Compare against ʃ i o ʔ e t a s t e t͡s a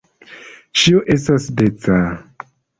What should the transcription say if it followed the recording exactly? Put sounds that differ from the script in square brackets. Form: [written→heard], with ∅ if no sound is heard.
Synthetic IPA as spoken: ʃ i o ʔ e [t→s] a s [t→d] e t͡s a